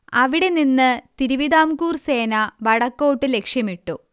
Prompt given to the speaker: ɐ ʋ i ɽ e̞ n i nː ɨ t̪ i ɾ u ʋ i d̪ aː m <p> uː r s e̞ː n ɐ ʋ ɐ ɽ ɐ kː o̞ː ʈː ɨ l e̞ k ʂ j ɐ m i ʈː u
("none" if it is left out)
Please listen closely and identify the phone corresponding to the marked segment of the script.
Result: k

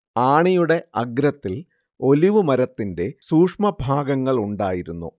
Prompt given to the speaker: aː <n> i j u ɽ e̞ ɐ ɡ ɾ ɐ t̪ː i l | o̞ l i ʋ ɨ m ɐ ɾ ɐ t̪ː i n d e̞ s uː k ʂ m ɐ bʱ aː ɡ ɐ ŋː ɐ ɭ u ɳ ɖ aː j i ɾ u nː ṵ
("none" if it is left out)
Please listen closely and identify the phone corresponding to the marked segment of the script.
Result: ɳ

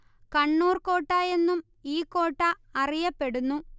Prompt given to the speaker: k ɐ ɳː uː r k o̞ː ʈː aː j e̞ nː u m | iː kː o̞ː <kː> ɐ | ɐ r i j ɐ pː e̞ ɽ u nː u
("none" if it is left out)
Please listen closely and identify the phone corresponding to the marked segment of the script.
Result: ʈː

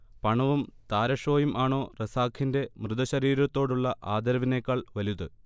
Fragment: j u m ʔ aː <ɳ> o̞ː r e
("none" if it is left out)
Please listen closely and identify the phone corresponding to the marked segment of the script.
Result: ɳ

